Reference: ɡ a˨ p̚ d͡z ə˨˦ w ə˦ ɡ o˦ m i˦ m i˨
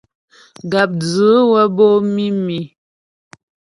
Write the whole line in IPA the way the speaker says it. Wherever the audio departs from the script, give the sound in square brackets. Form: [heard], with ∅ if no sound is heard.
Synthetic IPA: ɡ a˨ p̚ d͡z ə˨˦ w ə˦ [b] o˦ m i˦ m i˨